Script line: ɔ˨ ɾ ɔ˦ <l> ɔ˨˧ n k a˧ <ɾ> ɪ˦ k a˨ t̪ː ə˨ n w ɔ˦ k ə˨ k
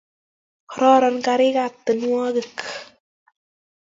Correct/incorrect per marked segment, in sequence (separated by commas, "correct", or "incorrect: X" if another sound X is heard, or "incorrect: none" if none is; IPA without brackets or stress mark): incorrect: ɾ, correct